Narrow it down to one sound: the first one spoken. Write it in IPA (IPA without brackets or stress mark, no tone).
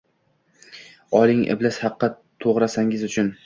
ɒ